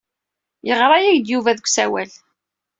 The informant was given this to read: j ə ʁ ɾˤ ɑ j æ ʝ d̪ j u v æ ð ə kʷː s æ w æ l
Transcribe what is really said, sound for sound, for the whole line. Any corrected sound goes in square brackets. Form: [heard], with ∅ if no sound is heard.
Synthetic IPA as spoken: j ə ʁ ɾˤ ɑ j æ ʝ d̪ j u v æ ð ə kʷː s æ w æ l

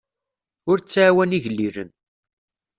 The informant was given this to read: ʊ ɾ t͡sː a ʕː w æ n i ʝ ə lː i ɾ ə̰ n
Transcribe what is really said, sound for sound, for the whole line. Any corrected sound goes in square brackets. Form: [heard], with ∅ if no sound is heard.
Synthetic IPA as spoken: ʊ ɾ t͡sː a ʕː w æ n i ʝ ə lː i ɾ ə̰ n

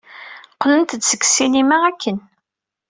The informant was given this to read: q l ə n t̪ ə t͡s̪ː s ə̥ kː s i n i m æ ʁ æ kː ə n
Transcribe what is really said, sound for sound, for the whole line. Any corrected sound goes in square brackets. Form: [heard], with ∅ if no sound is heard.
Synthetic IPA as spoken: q l ə n t̪ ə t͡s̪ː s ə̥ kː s i n i m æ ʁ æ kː ə n

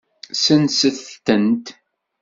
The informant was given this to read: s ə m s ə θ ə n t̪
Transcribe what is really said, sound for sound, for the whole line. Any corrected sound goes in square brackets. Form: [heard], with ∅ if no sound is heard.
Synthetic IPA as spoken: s ə [n] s ə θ ə n t̪

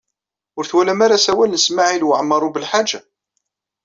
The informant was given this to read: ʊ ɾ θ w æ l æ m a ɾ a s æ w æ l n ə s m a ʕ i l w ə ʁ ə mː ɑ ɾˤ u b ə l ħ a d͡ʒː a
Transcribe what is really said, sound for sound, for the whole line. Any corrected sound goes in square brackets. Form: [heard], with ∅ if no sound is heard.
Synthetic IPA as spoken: ʊ ɾ θ w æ l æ m a ɾ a s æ w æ l n ə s m a ʕ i l w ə [ʕ] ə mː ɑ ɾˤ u b ə l ħ a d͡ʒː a

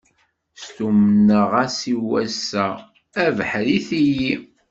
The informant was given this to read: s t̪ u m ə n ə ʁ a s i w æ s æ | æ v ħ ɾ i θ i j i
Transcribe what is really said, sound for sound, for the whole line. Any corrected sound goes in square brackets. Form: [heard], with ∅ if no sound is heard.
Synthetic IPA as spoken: s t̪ u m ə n ə ʁ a s i w æ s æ | æ v ħ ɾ i θ i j i

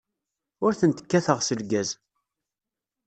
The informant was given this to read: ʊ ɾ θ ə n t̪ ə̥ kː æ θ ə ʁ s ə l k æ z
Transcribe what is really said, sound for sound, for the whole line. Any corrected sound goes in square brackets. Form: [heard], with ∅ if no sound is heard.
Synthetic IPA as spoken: ʊ ɾ θ ə n t̪ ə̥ kː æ θ ə ʁ s ə l [ɡ] æ z

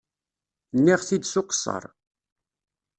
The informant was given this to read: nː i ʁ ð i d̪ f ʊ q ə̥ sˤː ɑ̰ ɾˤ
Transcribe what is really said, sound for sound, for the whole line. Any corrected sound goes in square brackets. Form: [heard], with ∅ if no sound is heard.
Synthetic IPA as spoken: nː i ʁ [θ] i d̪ [s] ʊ q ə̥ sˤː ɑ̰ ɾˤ

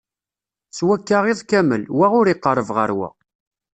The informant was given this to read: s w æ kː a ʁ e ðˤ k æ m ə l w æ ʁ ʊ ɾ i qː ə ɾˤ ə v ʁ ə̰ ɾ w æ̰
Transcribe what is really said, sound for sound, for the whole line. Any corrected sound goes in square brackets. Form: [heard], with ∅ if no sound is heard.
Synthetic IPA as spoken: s w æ kː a ʁ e ðˤ k æ m ə l w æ ʁ ʊ ɾ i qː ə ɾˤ ə v ʁ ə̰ ɾ w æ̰

